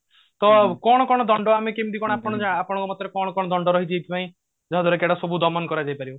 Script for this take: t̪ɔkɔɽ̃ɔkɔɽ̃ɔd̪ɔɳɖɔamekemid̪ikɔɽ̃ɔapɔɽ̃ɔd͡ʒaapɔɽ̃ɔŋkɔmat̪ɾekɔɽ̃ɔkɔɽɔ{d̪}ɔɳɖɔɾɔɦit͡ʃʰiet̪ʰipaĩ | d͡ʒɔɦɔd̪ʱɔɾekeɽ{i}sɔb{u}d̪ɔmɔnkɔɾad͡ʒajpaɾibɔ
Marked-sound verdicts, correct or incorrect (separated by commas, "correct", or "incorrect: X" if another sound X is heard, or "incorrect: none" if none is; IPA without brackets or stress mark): correct, incorrect: a, correct